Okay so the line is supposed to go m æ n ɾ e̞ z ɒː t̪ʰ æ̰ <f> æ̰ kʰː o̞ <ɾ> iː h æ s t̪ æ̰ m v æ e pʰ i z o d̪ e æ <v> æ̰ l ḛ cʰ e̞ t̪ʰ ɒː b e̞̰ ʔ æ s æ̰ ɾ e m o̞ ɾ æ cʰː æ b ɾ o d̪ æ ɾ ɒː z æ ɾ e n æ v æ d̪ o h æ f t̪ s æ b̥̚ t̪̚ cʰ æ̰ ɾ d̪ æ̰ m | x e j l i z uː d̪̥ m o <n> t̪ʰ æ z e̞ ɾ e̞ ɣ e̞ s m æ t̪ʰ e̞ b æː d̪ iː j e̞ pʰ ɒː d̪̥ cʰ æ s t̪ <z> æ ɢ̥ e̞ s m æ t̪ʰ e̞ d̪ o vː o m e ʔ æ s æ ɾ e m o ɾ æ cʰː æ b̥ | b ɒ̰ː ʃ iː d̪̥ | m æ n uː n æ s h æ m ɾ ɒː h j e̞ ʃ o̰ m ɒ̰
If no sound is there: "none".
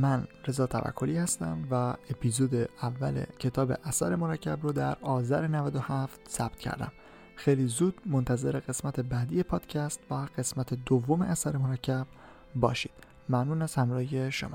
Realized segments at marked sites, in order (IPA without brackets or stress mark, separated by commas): v, l, vː, n, v